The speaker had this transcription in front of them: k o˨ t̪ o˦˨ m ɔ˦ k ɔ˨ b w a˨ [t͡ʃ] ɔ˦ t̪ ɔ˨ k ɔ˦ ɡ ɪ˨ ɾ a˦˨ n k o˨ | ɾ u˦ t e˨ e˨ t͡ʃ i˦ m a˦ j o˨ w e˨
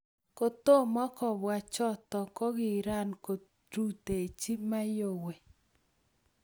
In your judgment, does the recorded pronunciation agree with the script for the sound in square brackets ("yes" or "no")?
yes